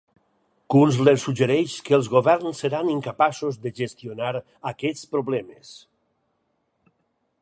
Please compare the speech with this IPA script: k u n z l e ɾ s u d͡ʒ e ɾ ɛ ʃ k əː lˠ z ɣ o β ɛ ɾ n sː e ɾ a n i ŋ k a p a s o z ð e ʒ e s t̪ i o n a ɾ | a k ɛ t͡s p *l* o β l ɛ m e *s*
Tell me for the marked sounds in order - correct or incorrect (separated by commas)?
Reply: incorrect, correct